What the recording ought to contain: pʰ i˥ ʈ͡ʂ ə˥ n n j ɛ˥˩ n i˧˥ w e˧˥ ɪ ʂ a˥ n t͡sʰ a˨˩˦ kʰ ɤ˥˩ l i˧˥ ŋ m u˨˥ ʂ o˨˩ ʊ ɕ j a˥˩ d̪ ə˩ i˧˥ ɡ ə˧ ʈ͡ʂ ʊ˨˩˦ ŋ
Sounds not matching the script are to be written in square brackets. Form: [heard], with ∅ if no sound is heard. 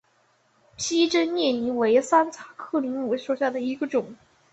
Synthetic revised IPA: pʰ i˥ ʈ͡ʂ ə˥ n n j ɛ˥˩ n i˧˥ w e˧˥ ɪ [s] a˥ n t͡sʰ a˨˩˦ kʰ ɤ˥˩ l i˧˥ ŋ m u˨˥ ʂ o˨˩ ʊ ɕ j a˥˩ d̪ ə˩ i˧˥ ɡ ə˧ ʈ͡ʂ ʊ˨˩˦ ŋ